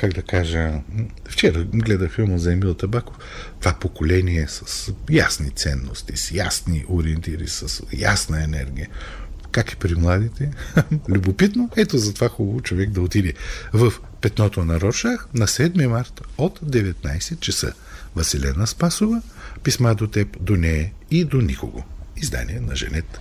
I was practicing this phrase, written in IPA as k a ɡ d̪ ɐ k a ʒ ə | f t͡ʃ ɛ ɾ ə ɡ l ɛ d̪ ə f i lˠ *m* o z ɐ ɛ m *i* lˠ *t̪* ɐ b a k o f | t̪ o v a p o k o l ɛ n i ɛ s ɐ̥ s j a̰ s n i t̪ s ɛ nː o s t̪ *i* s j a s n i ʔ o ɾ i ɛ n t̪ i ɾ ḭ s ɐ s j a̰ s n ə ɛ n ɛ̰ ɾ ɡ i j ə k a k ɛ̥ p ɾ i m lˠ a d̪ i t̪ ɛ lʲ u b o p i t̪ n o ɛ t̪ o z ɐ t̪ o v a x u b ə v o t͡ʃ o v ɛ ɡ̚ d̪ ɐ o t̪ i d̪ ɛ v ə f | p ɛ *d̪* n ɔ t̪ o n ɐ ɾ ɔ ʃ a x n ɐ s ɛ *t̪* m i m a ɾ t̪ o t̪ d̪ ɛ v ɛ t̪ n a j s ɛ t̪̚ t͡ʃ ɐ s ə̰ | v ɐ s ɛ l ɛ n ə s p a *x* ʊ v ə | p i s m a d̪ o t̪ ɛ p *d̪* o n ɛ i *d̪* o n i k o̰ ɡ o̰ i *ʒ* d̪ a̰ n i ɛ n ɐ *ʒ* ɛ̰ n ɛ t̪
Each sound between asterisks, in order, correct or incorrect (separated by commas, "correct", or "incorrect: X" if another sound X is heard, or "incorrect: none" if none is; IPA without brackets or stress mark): correct, correct, correct, correct, incorrect: t̪, incorrect: d̪, incorrect: s, correct, correct, incorrect: z, correct